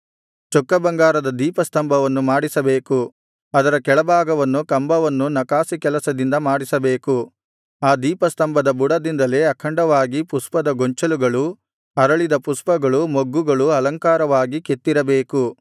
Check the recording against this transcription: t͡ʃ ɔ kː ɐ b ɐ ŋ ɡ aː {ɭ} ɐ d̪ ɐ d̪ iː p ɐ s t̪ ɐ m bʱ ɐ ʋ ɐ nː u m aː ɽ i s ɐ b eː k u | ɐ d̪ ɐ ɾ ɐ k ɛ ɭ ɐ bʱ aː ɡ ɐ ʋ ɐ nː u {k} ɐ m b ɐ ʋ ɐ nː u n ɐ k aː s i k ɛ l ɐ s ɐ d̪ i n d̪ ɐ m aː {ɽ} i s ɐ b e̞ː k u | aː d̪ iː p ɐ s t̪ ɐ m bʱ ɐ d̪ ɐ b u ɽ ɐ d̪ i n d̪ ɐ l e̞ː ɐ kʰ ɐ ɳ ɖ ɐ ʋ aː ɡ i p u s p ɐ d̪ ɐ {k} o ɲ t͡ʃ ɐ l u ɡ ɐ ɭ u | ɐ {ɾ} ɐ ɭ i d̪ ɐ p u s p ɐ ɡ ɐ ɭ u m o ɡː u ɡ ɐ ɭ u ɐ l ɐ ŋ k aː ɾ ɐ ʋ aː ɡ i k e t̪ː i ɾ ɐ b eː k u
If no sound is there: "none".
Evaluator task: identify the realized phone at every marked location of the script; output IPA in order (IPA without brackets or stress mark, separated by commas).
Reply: ɾ, k, ɽ, ɡ, ɾ